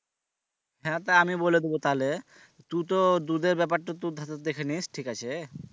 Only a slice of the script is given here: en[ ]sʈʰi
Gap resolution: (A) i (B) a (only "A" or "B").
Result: A